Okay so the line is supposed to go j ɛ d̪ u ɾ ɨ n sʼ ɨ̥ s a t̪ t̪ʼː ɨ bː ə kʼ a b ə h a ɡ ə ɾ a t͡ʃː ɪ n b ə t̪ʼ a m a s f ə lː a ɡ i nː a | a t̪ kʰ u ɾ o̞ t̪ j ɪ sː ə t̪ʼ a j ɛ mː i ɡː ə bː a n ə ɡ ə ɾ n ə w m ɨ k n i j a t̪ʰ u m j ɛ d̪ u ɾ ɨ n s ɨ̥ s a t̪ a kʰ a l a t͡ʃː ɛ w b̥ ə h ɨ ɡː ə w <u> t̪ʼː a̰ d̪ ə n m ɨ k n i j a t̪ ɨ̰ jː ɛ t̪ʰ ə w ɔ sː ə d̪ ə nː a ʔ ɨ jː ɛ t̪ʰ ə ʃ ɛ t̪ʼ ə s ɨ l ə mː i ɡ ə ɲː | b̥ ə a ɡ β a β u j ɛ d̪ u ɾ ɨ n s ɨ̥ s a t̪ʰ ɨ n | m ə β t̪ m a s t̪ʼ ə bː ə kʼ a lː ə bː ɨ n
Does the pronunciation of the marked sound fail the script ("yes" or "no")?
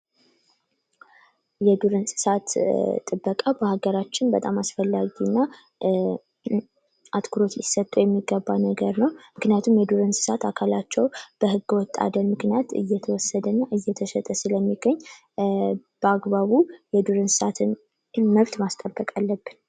yes